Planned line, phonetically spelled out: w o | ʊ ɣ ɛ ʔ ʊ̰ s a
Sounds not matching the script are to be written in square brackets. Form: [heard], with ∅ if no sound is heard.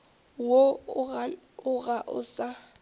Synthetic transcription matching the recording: w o | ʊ ɣ [a] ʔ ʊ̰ s a